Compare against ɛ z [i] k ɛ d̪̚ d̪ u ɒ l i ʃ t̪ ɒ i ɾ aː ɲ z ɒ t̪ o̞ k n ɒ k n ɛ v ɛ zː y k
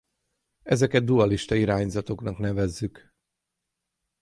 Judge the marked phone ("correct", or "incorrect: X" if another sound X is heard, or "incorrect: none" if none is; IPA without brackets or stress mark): incorrect: ɛ